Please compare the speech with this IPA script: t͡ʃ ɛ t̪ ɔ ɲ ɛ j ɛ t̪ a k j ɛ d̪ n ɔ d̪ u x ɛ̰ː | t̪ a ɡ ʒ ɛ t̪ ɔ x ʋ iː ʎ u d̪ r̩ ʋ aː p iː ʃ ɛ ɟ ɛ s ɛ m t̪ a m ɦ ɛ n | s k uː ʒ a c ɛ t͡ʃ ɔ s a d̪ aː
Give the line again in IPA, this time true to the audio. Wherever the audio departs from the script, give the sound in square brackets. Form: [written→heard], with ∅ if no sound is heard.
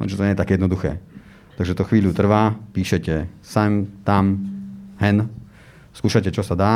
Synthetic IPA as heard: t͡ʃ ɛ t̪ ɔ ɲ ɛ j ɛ t̪ a k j ɛ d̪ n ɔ d̪ u x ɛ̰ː | t̪ a ɡ ʒ ɛ t̪ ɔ x ʋ iː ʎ u [d̪→t̪] r̩ ʋ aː p iː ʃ ɛ [ɟ→c] ɛ s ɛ m t̪ a m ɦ ɛ n | s k uː [ʒ→ʃ] a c ɛ t͡ʃ ɔ s a d̪ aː